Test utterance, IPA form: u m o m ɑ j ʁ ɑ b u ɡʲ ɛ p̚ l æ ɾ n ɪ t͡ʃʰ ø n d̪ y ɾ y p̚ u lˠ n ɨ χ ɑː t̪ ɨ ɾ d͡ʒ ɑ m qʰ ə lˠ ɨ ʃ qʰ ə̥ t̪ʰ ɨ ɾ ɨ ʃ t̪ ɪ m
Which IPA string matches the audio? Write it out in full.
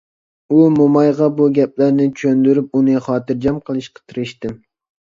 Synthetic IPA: u m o m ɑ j ʁ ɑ b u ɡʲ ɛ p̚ l æ ɾ n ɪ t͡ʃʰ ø n d̪ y ɾ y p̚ u n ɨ χ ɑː t̪ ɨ ɾ d͡ʒ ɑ m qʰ ə lˠ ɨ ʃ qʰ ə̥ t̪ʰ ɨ ɾ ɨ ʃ t̪ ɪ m